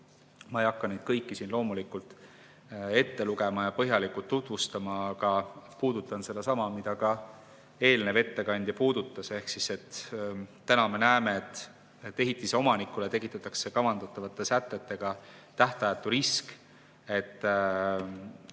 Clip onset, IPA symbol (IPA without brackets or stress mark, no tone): m